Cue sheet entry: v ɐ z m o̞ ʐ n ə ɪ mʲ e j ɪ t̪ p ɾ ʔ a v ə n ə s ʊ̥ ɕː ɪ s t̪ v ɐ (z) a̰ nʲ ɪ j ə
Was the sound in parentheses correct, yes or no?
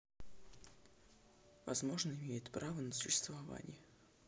no